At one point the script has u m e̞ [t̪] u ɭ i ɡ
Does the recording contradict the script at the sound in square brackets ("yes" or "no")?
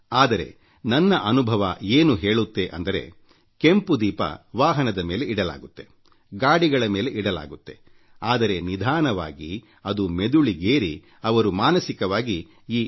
yes